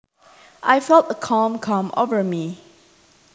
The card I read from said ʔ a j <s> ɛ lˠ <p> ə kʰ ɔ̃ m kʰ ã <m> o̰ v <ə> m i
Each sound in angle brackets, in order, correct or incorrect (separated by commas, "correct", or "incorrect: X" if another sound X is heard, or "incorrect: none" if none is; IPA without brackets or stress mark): incorrect: f, incorrect: t, correct, correct